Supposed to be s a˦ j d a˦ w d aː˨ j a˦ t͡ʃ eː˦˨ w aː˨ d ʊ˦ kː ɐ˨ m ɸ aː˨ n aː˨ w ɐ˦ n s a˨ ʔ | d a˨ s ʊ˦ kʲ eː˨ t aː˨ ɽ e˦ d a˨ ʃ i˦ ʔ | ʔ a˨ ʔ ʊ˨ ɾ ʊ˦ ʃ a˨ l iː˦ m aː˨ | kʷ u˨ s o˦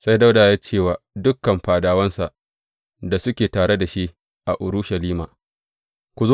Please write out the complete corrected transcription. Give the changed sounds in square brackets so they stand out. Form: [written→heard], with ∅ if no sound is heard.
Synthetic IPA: s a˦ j d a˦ w d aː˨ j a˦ t͡ʃ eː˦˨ w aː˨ d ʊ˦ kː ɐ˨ m ɸ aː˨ [n→d] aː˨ w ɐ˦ n s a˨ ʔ | d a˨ s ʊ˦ kʲ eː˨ t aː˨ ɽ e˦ d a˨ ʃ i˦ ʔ | ʔ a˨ ʔ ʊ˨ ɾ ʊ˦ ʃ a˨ l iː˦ m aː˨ | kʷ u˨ [s→z] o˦

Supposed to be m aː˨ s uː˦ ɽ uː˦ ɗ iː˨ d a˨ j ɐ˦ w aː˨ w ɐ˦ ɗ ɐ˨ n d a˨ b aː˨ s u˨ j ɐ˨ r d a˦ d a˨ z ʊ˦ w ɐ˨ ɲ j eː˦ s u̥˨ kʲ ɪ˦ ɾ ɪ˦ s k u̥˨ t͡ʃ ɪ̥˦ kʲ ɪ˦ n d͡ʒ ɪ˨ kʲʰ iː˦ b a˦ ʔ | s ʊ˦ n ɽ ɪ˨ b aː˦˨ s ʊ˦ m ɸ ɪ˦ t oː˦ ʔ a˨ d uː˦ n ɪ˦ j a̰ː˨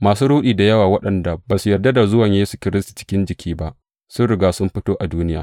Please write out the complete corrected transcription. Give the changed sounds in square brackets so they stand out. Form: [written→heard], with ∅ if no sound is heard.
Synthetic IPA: m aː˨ s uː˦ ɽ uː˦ ɗ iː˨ d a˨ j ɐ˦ w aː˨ w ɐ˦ ɗ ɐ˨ n d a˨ b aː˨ s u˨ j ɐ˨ r d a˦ d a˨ z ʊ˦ w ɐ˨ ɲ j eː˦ s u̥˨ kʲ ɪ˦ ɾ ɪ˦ s [k→t] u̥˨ t͡ʃ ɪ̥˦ kʲ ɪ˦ n d͡ʒ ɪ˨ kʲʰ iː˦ b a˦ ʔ | s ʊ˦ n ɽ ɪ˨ [b→ɡ] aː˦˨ s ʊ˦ m ɸ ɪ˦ t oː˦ ʔ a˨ d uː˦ n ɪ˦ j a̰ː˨

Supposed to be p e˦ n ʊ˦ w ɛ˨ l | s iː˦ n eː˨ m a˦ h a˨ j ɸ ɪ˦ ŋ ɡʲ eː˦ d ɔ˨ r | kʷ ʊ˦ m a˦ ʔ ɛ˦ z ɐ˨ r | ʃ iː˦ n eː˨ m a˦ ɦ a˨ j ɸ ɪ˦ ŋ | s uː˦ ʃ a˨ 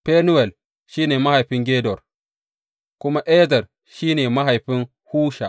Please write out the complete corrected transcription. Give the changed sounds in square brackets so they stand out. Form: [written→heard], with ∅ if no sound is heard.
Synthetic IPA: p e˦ n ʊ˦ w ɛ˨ l | [s→ʃ] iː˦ n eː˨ m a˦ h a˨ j ɸ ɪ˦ ŋ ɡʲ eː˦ d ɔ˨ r | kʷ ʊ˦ m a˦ ʔ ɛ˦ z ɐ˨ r | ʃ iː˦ n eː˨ m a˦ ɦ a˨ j ɸ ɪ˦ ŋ | [s→h] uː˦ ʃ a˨

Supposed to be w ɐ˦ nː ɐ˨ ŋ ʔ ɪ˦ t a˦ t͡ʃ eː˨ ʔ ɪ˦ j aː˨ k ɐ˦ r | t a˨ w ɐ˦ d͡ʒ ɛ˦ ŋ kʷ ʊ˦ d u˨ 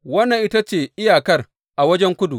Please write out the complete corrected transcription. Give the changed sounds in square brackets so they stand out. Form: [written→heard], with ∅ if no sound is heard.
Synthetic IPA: w ɐ˦ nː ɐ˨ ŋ ʔ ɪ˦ t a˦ t͡ʃ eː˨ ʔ ɪ˦ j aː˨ k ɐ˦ r | [t→ʔ] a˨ w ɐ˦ d͡ʒ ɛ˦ ŋ kʷ ʊ˦ d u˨

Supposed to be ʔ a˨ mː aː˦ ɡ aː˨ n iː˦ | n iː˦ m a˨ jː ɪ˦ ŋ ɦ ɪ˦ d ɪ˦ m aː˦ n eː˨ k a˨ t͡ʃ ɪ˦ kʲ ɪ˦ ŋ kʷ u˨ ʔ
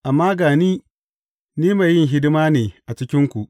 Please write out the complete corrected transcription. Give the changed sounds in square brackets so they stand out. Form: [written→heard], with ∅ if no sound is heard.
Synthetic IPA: ʔ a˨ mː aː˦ ɡ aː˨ n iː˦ | n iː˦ m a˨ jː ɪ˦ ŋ ɦ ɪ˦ d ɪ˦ m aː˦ n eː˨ [k→ʔ] a˨ t͡ʃ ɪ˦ kʲ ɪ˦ ŋ kʷ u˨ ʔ

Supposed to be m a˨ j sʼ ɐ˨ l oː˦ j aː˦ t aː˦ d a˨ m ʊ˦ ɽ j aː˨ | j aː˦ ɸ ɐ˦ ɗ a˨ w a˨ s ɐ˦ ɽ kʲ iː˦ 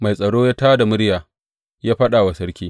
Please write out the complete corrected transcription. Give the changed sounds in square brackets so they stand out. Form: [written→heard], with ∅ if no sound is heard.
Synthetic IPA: m a˨ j sʼ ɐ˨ [l→ɽ] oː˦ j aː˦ t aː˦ d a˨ m ʊ˦ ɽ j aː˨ | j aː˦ ɸ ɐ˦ ɗ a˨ w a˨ s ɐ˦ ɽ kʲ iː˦

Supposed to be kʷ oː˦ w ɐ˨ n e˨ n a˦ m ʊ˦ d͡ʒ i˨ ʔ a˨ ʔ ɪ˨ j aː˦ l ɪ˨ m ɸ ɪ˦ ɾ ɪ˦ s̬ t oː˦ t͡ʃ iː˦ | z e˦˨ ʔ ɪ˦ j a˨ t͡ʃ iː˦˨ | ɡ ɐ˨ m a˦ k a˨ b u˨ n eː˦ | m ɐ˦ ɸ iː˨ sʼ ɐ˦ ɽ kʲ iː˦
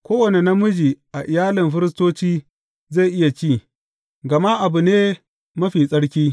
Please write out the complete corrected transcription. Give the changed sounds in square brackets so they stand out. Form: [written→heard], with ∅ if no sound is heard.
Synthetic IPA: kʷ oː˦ w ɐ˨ n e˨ n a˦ m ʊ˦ d͡ʒ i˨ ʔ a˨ ʔ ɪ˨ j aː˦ l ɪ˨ m ɸ ɪ˦ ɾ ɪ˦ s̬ t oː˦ t͡ʃ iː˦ | z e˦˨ ʔ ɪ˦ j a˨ t͡ʃ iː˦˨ | ɡ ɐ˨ m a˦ [k→ʔ] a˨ b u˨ n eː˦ | m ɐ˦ ɸ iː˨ sʼ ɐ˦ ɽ kʲ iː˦

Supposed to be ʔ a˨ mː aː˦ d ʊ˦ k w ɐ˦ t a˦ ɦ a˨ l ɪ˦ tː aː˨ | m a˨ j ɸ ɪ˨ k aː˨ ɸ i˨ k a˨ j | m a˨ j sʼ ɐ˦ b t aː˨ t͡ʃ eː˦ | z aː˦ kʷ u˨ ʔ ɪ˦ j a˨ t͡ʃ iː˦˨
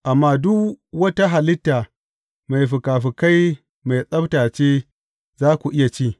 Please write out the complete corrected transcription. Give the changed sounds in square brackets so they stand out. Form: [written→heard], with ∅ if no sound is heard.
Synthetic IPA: ʔ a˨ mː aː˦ d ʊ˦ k w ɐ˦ t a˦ ɦ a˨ l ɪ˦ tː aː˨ | m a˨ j ɸ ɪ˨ k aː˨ ɸ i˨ k [a˨→a˦] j | m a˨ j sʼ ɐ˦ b t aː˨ t͡ʃ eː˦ | z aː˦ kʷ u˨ ʔ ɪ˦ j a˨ t͡ʃ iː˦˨

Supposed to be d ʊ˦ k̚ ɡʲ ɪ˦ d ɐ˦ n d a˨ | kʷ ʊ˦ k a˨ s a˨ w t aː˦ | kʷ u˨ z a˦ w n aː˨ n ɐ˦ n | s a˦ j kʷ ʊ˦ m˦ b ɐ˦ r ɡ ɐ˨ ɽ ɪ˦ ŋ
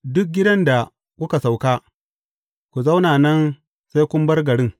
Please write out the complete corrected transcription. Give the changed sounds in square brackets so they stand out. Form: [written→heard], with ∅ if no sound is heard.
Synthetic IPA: d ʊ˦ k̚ ɡʲ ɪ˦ d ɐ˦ n d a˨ | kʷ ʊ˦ k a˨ s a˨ w [t→k] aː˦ | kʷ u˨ z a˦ w n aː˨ n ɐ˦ n | s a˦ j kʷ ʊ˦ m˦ b ɐ˦ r ɡ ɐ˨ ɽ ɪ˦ ŋ

